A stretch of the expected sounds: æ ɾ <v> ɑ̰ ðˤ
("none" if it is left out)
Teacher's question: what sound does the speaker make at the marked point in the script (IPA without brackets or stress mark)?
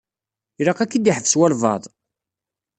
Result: v